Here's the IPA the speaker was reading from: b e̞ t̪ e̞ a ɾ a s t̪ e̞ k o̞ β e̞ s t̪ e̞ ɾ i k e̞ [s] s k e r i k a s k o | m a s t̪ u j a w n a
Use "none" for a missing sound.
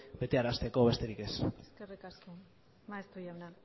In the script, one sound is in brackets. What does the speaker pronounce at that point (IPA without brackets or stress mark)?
s